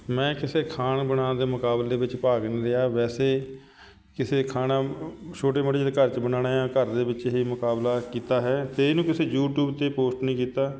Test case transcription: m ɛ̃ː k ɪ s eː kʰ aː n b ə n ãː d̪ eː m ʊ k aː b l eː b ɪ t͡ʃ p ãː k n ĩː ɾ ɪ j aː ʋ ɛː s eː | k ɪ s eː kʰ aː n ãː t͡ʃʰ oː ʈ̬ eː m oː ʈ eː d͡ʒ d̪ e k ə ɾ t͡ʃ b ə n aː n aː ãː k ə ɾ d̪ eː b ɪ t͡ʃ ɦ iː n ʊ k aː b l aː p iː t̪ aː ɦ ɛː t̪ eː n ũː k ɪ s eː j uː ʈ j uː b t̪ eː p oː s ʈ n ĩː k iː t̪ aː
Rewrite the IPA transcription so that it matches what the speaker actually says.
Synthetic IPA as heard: m ɛ̃ː k ɪ s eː kʰ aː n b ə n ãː d̪ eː m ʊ k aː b l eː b ɪ t͡ʃ p aː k n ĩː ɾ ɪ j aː ʋ ɛː s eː | k ɪ s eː kʰ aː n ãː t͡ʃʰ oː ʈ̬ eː m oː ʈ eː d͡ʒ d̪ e k ə ɾ t͡ʃ b ə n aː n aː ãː k ə ɾ d̪ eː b ɪ t͡ʃ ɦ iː m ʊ k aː b l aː k iː t̪ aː ɦ ɛː t̪ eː n ũː k ɪ s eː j uː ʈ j uː b t̪ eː p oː s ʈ n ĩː k iː t̪ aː